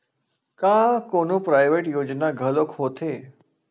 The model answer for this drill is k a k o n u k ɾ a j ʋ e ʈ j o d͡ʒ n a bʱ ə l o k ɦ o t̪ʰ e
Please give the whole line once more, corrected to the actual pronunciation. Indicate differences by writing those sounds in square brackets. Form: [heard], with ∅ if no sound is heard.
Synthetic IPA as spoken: k a k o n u [p] ɾ a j ʋ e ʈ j o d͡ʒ n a [ɡʱ] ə l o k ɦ o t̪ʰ e

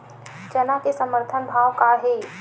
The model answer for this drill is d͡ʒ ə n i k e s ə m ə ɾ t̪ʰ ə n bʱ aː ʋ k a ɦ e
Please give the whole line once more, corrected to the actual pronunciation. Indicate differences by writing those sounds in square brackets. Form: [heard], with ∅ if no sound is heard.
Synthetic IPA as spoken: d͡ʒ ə n [a] k e s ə m ə ɾ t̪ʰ ə n bʱ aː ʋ k a ɦ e

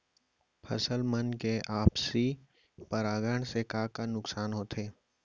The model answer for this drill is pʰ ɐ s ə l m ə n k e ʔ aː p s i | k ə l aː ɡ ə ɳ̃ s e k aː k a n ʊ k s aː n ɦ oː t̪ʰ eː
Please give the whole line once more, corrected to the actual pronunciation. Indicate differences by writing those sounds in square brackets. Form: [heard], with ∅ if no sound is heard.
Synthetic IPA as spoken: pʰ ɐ s ə l m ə n k e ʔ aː p s i | [p] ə [ɾ] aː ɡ ə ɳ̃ s e k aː k a n ʊ k s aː n ɦ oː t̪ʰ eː

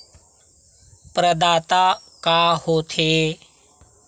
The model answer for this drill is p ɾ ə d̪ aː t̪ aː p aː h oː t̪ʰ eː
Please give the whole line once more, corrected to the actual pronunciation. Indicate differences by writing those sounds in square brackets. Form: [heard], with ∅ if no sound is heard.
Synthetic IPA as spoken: p ɾ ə d̪ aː t̪ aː [k] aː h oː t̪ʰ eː

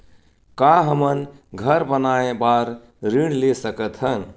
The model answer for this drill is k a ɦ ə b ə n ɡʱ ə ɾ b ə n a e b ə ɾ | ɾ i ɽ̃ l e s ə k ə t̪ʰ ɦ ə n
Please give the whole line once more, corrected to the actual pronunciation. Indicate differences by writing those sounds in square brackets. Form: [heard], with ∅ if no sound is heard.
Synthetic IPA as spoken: k a ɦ ə [m] ə n ɡʱ ə ɾ b ə n a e b [a] ɾ | ɾ i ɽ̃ l e s ə k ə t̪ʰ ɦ ə n

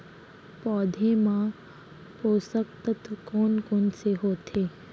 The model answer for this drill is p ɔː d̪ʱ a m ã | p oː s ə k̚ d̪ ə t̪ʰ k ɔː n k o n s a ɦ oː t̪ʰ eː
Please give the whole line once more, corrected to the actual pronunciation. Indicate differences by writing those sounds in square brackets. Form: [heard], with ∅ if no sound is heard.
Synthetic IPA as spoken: p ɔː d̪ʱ [e] m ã | p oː s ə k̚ [t̪] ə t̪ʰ k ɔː n k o n s [e] ɦ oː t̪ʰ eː

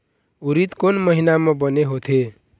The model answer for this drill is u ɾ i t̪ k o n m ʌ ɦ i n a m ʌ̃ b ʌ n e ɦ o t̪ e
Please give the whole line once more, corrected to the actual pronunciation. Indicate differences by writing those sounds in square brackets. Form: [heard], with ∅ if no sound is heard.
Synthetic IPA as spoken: u ɾ i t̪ k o n m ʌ ɦ i n a m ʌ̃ b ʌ n e ɦ o [t̪ʰ] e

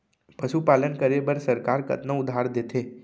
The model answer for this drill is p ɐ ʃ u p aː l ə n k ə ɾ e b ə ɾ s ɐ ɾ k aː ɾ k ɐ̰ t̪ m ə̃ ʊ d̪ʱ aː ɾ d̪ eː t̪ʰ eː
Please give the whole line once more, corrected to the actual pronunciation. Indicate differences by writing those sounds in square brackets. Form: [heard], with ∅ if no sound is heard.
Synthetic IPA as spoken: p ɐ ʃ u p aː l ə n k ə ɾ e b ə ɾ s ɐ ɾ k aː ɾ k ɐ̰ t̪ [n] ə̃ ʊ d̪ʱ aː ɾ d̪ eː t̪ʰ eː

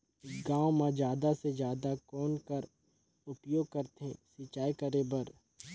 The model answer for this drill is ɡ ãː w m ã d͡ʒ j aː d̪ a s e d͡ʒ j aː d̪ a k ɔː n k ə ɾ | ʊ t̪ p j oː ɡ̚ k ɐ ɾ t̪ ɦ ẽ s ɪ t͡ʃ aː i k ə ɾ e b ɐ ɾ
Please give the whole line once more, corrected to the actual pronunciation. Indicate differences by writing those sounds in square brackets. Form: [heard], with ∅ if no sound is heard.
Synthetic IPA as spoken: ɡ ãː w m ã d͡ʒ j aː d̪ a s e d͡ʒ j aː d̪ a k ɔː n k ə ɾ | ʊ [∅] p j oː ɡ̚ k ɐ ɾ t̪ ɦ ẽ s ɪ t͡ʃ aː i k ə ɾ e b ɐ ɾ

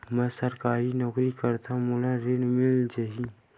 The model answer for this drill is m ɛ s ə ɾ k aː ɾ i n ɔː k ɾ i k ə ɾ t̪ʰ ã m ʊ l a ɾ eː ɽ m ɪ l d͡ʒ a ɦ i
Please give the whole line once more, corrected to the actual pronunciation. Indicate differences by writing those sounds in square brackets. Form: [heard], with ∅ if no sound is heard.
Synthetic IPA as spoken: m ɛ s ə ɾ k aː ɾ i n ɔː k ɾ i k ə ɾ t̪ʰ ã m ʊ l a ɾ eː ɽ m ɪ l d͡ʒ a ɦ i

